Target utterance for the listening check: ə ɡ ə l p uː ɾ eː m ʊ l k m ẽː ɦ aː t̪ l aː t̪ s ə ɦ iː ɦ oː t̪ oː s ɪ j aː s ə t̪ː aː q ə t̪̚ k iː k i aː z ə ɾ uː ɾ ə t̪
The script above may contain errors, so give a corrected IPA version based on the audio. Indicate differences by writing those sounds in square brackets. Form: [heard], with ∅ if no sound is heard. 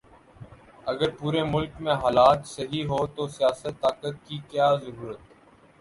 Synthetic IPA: ə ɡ ə [ɾ] p uː ɾ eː m ʊ l k m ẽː ɦ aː [∅] l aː t̪ s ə ɦ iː ɦ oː t̪ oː s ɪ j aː s ə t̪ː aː [k] ə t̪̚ k iː k [j] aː z ə ɾ uː ɾ ə t̪